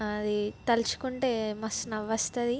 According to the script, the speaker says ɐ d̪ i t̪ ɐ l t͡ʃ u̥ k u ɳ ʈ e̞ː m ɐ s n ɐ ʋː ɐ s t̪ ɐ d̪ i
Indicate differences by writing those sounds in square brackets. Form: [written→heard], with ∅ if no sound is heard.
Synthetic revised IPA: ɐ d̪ i t̪ ɐ l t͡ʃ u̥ k u ɳ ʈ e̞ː m ɐ s n ɐ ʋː ɐ s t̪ ɐ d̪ i